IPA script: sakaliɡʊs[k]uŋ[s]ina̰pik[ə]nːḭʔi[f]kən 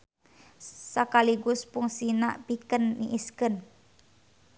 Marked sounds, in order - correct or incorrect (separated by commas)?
incorrect, correct, correct, incorrect